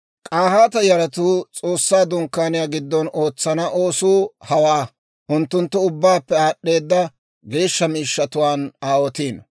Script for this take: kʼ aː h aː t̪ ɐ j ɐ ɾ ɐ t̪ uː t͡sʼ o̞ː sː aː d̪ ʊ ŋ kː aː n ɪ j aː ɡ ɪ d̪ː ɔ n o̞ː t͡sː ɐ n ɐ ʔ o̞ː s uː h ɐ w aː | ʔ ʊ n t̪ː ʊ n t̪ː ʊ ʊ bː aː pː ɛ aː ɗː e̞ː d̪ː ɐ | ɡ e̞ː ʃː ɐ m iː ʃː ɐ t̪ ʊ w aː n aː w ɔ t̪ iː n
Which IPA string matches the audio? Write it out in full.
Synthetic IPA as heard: kʼ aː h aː t̪ ɐ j ɐ ɾ ɐ t̪ uː t͡sʼ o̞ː sː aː d̪ ʊ ŋ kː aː n ɪ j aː ɡ ɪ d̪ː ɔ n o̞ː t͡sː ɐ n ɐ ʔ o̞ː s uː h ɐ w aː | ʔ ʊ n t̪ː ʊ n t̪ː ʊ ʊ bː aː pː ɛ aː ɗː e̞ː d̪ː ɐ | ɡ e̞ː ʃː ɐ m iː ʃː ɐ t̪ ʊ w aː n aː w ɔ t̪ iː n